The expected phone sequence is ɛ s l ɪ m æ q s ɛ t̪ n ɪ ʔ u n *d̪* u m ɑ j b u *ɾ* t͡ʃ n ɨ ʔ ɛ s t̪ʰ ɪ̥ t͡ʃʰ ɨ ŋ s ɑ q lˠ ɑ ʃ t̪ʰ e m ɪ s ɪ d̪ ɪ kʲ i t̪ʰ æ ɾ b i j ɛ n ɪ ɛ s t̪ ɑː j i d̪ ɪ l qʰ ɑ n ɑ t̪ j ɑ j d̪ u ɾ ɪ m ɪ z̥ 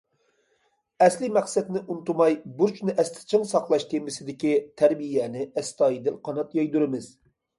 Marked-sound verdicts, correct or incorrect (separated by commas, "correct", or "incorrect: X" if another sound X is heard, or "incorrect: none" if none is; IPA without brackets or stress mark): incorrect: t̪, correct